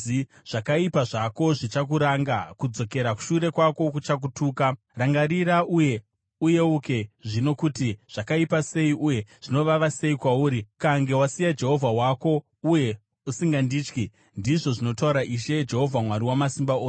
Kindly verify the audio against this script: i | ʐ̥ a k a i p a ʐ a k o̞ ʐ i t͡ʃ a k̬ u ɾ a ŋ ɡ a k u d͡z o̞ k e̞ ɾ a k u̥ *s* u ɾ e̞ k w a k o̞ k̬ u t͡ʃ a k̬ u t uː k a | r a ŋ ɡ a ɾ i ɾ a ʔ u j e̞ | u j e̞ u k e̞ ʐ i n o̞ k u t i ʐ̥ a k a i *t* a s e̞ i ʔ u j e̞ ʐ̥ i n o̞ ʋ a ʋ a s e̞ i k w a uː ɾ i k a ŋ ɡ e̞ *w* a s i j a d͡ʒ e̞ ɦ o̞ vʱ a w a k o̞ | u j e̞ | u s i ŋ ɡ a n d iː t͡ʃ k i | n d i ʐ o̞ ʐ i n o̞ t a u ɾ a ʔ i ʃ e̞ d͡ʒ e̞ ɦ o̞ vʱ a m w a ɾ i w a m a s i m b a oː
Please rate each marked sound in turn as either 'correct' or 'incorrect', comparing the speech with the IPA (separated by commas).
incorrect, incorrect, correct